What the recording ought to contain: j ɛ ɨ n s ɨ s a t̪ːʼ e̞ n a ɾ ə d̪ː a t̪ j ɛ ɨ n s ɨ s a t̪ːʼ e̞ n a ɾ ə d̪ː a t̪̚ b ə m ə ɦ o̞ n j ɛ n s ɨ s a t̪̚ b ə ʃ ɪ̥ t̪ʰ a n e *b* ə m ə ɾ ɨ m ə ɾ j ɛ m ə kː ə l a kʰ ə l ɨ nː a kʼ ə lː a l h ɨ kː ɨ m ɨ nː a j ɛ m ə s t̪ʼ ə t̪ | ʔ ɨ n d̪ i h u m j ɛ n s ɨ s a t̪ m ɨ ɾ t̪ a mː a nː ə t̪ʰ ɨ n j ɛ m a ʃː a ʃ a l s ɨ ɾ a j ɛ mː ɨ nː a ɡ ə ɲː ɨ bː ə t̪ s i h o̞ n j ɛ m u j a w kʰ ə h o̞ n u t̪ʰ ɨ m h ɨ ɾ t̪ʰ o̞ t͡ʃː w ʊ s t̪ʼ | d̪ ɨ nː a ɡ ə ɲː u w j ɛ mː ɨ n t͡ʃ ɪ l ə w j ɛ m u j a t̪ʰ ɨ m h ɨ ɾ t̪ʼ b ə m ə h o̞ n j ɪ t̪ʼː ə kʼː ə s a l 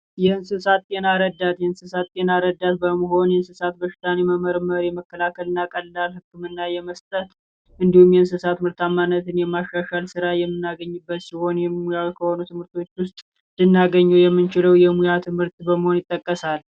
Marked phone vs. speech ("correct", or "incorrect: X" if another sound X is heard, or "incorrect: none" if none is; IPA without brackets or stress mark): incorrect: m